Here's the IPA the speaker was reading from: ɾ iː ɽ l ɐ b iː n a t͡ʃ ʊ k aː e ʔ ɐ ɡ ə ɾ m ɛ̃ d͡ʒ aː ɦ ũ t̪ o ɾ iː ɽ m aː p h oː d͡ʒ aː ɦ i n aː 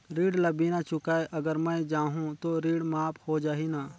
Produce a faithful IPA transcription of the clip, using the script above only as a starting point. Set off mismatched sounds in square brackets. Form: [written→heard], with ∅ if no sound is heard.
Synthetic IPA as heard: ɾ iː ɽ l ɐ b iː n a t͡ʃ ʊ k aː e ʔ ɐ ɡ ə ɾ m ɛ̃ d͡ʒ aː ɦ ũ t̪ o ɾ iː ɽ m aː p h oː d͡ʒ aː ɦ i n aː